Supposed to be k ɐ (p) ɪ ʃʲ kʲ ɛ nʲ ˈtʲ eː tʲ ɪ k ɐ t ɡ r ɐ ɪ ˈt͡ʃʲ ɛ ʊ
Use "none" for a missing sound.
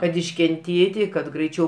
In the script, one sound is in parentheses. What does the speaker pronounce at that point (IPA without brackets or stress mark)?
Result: t